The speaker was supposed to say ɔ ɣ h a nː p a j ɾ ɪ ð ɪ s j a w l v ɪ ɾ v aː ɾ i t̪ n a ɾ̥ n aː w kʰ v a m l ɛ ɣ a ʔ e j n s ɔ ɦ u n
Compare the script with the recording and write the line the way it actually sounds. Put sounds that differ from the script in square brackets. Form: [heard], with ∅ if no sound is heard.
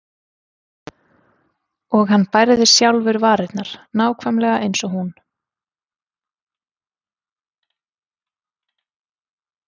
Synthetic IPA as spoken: ɔ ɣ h a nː p a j ɾ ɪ ð ɪ s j a w l v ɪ ɾ v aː ɾ [ɪ] t̪ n a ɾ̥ n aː w kʰ v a m l ɛ ɣ a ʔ e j n s ɔ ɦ u n